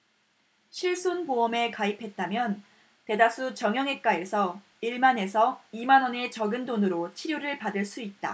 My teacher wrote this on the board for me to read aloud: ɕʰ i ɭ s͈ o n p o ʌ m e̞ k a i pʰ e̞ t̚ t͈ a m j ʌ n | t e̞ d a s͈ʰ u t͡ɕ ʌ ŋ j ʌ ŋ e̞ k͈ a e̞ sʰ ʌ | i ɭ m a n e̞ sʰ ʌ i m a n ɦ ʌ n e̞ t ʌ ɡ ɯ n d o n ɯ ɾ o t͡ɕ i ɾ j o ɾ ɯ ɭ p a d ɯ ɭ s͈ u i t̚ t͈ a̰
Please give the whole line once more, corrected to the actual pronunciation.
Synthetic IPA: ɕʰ i ɭ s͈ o n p o ʌ m e̞ k a i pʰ e̞ t̚ t͈ a m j ʌ n | t e̞ d a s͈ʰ u t͡ɕ ʌ ŋ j ʌ ŋ e̞ k͈ a e̞ sʰ ʌ | i ɭ m a n e̞ sʰ ʌ i m a n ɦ ʌ n e̞ t͡ɕ ʌ ɡ ɯ n d o n ɯ ɾ o t͡ɕʰ i ɾ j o ɾ ɯ ɭ p a d ɯ ɭ s͈ u i t̚ t͈ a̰